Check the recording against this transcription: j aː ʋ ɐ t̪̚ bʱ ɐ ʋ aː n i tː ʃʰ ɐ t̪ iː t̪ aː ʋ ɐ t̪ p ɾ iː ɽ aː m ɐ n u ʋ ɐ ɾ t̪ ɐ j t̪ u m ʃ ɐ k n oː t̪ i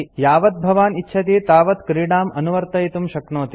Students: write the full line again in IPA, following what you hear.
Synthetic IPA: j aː ʋ ɐ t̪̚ bʱ ɐ ʋ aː n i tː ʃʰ ɐ t̪ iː t̪ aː ʋ ɐ t̪ k ɾ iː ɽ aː m ɐ n u ʋ ɐ ɾ t̪ ɐ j t̪ u m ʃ ɐ k n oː t̪ i